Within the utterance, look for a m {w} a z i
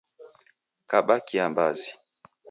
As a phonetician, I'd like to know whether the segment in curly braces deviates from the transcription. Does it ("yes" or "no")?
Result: yes